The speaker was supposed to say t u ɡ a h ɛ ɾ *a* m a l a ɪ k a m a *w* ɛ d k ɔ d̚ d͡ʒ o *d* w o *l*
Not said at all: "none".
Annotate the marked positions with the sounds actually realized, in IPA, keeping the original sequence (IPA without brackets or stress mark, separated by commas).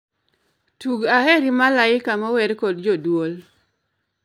i, w, d, l